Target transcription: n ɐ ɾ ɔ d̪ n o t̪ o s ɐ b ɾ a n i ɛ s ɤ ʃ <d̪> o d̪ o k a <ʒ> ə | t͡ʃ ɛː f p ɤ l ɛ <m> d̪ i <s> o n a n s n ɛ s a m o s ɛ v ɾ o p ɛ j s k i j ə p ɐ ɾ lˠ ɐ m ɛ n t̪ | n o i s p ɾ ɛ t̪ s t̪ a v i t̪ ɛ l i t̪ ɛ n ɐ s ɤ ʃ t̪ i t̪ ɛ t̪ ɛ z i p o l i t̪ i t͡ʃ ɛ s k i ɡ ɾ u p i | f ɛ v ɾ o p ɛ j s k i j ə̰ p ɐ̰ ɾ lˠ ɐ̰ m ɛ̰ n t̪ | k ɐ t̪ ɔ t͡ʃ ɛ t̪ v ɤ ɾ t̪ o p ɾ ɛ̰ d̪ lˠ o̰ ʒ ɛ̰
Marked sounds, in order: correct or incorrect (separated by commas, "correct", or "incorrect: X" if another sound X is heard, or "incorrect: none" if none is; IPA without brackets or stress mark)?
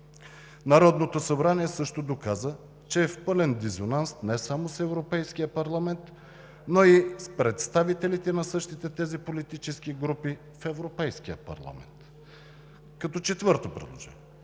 incorrect: t̪, incorrect: z, incorrect: n, incorrect: z